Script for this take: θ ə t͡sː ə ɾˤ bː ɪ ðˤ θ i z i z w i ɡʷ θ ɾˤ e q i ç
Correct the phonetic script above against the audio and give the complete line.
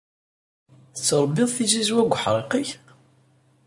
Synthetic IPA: θ ə t͡sː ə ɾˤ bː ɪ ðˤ θ i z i z w æ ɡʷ ħ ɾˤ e q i ç